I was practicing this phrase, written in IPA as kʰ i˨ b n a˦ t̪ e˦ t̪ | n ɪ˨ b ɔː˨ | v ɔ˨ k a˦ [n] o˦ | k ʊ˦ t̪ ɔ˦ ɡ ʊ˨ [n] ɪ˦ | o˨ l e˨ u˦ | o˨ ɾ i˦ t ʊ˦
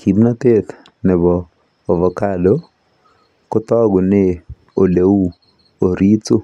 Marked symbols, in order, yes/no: no, yes

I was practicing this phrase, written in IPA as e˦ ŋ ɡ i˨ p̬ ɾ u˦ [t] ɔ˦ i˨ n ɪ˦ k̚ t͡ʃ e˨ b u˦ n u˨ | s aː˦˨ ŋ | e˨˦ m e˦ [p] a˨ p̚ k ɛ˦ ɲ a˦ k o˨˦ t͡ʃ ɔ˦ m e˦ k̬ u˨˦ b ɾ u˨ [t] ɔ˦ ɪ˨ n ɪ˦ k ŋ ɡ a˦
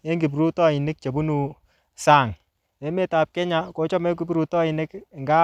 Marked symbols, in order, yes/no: yes, no, yes

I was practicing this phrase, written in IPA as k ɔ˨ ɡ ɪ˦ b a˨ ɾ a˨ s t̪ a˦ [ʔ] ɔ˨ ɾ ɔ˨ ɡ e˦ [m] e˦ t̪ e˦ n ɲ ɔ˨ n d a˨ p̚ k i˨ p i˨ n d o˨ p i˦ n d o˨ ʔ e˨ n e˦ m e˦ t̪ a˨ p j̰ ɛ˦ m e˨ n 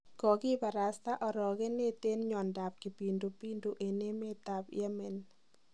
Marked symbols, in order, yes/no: yes, no

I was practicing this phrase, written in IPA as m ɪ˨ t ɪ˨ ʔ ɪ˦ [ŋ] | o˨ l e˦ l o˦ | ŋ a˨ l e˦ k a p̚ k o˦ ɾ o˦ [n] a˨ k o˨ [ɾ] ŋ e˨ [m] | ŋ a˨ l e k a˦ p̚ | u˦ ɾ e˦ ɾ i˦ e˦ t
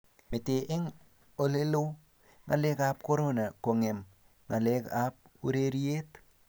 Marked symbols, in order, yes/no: yes, yes, no, yes

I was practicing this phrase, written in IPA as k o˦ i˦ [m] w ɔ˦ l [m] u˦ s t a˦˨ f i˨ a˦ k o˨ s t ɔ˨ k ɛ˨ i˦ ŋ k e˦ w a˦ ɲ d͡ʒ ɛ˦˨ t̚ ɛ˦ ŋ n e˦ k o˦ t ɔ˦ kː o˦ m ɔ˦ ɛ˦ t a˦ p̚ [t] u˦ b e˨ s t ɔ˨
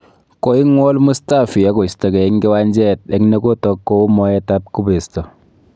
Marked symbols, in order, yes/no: no, yes, no

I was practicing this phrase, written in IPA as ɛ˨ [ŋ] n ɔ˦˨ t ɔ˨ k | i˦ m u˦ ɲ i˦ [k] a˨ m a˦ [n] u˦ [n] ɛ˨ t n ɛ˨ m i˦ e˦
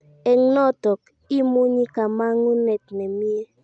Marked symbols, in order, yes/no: yes, yes, no, yes

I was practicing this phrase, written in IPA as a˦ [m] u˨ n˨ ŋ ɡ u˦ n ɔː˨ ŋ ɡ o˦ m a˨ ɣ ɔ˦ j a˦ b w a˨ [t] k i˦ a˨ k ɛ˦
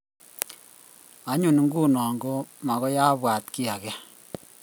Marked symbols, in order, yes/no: no, yes

